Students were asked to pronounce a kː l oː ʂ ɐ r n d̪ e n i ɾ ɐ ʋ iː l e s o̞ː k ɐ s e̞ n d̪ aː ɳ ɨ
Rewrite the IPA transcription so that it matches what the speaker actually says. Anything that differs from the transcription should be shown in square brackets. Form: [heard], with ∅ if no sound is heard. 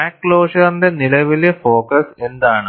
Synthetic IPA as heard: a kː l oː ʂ ɐ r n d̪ e n i [l] ɐ ʋ [i] l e [f] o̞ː k ɐ s e̞ n d̪ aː ɳ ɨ